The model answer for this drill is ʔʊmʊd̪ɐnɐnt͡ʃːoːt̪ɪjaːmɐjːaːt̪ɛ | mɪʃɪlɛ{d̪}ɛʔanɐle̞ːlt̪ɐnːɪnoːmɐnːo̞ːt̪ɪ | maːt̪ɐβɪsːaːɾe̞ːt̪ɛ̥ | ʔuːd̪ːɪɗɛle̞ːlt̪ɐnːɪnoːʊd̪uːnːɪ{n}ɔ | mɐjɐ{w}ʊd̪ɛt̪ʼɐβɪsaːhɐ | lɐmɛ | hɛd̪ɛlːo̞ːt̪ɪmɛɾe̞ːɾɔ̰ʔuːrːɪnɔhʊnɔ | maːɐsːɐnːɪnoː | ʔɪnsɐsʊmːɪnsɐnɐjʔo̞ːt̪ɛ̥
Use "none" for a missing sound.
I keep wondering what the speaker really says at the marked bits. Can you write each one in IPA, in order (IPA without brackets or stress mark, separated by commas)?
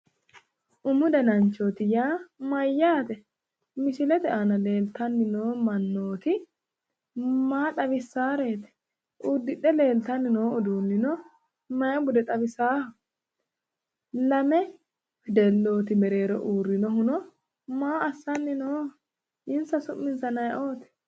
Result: t̪, n, b